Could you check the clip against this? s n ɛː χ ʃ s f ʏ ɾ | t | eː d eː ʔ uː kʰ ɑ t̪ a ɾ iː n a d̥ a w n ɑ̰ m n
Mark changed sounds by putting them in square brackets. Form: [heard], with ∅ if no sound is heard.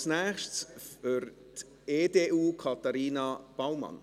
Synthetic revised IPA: s n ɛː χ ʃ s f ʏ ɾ | t | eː d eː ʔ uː kʰ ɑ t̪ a ɾ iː n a [b̥] a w [m] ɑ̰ [∅] n